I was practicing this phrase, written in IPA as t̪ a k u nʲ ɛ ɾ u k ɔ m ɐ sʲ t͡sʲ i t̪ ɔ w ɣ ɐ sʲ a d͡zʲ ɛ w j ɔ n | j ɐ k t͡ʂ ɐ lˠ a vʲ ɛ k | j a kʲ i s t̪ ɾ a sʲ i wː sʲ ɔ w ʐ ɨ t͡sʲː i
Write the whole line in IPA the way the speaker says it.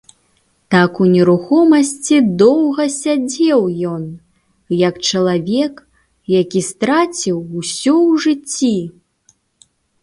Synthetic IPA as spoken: t̪ a k u nʲ ɛ ɾ u x ɔ m ɐ sʲ t͡sʲ i d̪ ɔ w ɣ ɐ sʲ a d͡zʲ ɛ w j ɔ n | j ɐ k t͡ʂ ɐ lˠ a vʲ ɛ k | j a kʲ i s t̪ ɾ a t͡sʲ i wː sʲ ɔ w ʐ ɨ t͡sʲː i